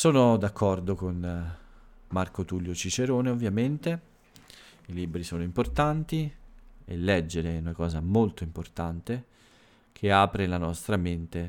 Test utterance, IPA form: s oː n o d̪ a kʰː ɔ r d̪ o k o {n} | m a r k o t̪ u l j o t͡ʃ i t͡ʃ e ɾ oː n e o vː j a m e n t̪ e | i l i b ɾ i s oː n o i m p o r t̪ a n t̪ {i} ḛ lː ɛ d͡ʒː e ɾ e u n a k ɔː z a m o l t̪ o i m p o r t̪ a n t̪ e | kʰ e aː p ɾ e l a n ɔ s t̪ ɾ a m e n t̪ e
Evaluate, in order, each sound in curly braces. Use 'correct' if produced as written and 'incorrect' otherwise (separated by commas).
correct, correct